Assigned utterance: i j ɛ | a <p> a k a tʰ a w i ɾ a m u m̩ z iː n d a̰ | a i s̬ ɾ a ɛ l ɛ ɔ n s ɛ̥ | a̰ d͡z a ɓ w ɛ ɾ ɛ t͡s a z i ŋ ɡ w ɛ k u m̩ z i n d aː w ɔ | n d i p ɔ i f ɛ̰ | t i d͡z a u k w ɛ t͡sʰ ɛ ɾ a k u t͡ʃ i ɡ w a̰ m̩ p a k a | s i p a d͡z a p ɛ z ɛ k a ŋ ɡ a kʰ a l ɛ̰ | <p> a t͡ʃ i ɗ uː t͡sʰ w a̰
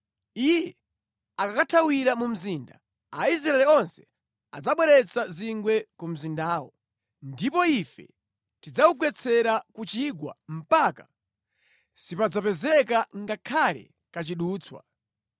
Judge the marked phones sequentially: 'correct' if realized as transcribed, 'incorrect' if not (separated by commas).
incorrect, incorrect